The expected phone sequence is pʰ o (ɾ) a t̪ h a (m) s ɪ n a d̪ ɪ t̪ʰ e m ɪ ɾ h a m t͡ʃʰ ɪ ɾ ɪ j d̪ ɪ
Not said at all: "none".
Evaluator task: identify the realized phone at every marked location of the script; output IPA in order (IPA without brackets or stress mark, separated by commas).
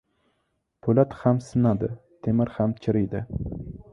l, m